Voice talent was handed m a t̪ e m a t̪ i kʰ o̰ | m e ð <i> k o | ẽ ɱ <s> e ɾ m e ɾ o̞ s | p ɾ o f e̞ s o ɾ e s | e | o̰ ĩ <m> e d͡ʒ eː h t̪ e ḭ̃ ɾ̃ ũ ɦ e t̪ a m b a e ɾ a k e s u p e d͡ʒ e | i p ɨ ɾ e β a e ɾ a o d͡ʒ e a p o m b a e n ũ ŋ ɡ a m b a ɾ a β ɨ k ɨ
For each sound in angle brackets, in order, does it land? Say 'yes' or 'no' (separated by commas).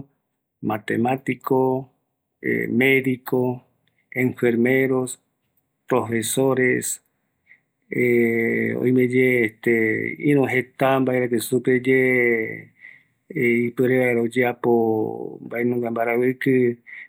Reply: yes, no, yes